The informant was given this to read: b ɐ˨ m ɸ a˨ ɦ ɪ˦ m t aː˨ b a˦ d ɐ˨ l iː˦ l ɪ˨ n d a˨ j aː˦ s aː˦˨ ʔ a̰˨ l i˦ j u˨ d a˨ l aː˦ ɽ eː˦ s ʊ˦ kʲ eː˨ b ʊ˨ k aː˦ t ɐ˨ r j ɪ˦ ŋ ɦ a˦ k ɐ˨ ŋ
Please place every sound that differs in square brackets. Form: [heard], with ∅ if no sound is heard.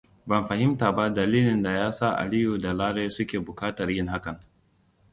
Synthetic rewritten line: b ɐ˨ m ɸ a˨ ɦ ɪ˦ m t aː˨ b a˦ d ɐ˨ l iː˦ l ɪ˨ n d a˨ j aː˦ s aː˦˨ ʔ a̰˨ l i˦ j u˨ d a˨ l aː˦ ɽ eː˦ s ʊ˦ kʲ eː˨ b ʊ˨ k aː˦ t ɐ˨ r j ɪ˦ ŋ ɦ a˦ k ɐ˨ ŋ